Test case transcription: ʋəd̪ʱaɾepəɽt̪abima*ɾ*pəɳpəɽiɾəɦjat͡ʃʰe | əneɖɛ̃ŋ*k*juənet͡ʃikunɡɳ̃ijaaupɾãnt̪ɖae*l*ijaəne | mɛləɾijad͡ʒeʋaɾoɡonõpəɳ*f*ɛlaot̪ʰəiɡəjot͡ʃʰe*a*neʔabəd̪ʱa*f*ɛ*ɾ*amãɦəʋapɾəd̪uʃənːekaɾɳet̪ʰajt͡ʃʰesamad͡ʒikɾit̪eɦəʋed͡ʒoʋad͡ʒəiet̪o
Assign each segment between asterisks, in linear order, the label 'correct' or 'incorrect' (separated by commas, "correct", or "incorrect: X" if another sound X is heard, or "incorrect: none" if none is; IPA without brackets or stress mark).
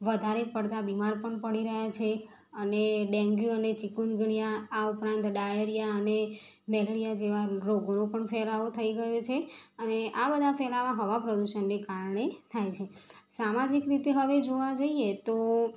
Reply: correct, incorrect: ɡ, incorrect: ɾ, correct, incorrect: ə, correct, incorrect: l